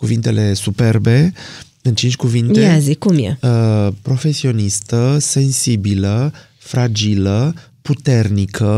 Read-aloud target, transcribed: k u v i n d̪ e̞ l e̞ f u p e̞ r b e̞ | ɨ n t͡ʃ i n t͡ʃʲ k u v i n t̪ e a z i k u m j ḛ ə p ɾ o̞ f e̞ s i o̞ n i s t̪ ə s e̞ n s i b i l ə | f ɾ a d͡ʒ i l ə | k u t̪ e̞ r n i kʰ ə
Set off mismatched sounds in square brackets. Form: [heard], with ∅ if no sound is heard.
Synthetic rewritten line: k u v i n [t̪] e̞ l e̞ [s] u p e̞ r b e̞ | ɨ n t͡ʃ i n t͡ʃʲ k u v i n t̪ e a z i k u m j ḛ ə p ɾ o̞ f e̞ s i o̞ n i s t̪ ə s e̞ n s i b i l ə | f ɾ a d͡ʒ i l ə | [p] u t̪ e̞ r n i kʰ ə